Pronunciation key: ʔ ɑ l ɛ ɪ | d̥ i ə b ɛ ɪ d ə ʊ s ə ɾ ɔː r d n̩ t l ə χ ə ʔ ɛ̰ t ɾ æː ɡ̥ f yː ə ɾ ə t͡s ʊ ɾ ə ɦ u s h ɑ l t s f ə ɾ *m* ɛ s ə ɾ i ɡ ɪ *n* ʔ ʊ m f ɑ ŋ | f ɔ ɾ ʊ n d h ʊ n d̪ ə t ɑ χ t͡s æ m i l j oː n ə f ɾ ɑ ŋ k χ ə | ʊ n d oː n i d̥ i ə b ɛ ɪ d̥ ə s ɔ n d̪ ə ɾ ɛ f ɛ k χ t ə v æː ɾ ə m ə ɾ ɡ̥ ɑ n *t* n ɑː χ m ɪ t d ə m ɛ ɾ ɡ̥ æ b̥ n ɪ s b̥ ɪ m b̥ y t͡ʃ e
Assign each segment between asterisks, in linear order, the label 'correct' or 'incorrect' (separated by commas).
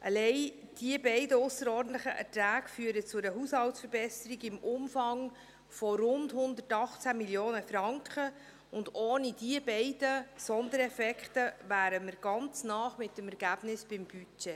incorrect, incorrect, incorrect